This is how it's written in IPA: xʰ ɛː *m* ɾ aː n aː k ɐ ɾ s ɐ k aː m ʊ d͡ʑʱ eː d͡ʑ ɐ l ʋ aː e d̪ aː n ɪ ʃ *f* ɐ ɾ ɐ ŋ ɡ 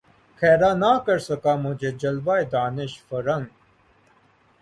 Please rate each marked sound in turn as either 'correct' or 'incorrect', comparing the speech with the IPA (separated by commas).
incorrect, correct